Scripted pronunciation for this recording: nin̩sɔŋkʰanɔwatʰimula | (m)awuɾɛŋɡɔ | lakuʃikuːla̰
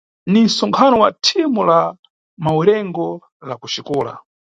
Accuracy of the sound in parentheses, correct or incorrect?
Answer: correct